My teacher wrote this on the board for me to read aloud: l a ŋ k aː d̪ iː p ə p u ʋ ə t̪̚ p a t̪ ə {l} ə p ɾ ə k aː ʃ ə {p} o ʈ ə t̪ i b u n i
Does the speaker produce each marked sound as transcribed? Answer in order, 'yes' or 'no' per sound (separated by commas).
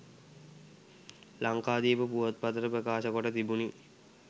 no, no